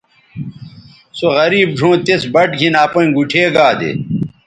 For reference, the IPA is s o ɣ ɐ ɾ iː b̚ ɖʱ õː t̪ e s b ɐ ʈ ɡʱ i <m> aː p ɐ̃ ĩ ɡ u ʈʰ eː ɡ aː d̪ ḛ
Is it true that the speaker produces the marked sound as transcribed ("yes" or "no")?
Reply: no